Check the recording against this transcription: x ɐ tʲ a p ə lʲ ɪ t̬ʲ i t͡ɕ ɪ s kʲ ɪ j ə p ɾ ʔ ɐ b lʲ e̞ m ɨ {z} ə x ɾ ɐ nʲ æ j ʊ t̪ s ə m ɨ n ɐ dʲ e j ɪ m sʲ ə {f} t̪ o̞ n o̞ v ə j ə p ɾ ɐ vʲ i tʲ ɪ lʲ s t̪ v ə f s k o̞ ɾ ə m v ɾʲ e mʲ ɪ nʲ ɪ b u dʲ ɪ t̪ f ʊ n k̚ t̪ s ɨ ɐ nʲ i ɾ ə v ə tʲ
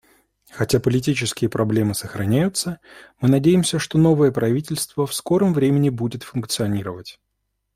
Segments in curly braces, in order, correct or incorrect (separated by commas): incorrect, incorrect